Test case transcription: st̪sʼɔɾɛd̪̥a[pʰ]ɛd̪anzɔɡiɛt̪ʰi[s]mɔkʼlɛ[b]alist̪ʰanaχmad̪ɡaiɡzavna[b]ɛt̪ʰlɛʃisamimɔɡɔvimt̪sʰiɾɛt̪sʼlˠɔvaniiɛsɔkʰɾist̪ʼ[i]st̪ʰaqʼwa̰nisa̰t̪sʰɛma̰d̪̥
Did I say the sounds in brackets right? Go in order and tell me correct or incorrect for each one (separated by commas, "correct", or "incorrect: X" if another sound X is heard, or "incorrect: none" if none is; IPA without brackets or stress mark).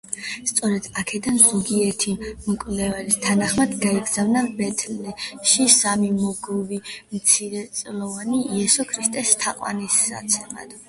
incorrect: kʰ, incorrect: none, incorrect: v, correct, incorrect: ɛ